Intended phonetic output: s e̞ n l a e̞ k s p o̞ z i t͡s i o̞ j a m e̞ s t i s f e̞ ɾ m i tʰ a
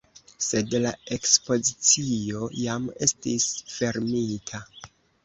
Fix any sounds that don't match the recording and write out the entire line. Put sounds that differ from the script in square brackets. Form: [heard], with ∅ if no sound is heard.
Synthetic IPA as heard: s e̞ [d] l a e̞ k s p o̞ z i t͡s i o̞ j a m e̞ s t i s f e̞ ɾ m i tʰ a